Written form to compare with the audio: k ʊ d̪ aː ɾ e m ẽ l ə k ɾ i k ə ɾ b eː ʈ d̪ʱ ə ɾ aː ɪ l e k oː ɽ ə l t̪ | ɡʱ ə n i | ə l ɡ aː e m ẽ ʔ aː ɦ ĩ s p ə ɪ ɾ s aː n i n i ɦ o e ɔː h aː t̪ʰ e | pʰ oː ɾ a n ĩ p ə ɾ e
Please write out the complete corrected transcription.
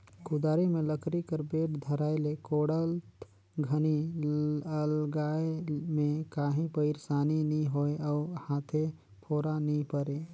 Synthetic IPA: k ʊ d̪ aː ɾ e m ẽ l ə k ɾ i k ə ɾ b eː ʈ d̪ʱ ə ɾ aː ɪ l e k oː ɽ ə l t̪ | ɡʱ ə n i | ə l ɡ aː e m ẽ k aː ɦ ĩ p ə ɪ ɾ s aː n i n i ɦ o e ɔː h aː t̪ʰ e | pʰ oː ɾ a n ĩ p ə ɾ e